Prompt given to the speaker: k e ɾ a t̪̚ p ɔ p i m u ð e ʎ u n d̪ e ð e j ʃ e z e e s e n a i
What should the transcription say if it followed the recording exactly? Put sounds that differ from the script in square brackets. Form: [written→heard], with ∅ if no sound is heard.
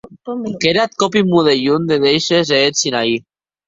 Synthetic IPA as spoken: k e ɾ a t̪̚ [p→k] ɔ p i m u ð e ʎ u n d̪ e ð e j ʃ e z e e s [e→i] n a i